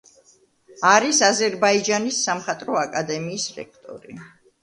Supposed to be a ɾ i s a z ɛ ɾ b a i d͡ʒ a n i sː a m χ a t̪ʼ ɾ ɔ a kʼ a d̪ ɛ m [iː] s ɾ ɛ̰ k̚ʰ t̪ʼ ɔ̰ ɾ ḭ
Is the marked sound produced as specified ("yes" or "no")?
yes